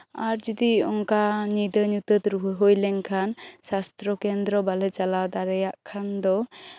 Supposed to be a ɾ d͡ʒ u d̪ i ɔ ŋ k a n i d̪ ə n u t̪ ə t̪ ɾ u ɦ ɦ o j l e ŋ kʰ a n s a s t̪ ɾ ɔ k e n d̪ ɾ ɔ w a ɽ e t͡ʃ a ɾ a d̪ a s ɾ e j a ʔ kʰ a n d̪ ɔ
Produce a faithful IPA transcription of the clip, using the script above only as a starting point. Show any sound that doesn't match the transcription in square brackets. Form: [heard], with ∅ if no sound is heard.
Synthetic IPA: a ɾ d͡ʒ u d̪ i ɔ ŋ k a n i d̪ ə n u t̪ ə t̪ ɾ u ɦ ɦ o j l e ŋ kʰ a n s a s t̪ ɾ ɔ k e n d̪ ɾ ɔ [b] a [l] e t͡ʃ a [l] a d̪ a [∅] ɾ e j a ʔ kʰ a n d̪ ɔ